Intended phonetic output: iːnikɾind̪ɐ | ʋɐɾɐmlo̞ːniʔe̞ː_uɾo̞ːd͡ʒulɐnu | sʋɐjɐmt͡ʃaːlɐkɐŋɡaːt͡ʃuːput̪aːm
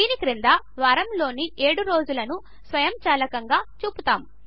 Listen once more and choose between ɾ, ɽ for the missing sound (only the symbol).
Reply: ɽ